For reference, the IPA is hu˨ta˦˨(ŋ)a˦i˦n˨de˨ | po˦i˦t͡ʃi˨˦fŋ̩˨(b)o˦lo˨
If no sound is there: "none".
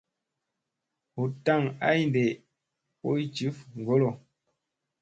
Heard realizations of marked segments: ŋ, ɡ

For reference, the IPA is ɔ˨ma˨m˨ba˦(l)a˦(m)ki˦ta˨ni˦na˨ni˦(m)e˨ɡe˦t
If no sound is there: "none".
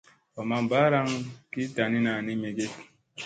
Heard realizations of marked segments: ɾ, ŋ, m

